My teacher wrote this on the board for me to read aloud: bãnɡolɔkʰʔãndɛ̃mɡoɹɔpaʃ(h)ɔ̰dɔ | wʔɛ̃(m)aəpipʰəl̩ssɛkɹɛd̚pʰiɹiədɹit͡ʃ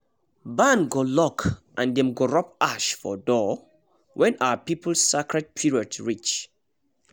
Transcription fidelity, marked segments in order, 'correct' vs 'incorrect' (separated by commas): incorrect, incorrect